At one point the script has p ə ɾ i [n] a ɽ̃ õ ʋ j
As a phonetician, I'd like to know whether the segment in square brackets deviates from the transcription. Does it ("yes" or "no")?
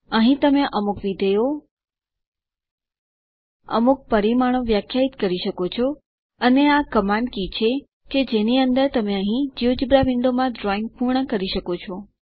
yes